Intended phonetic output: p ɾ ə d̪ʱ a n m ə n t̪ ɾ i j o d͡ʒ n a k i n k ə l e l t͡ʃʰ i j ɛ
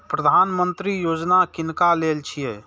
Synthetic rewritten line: p ɾ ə d̪ʱ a n m ə n t̪ ɾ i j o d͡ʒ n a k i n k a l e l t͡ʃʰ i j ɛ

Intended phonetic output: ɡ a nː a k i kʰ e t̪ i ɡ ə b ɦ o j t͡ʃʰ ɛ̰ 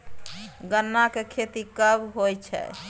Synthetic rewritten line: ɡ ə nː a k e kʰ e t̪ i k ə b ɦ o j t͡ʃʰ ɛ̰

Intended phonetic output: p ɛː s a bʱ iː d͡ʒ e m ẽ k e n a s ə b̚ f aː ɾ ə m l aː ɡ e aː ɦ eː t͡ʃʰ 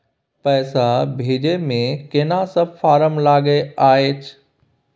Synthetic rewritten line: p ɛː s a bʱ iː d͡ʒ e m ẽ k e n a s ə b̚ f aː ɾ ə m l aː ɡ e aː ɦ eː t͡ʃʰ

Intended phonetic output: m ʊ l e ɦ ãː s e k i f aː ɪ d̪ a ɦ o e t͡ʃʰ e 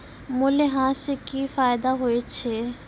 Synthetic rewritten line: m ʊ l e ɦ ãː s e k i f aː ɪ d̪ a ɦ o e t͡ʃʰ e

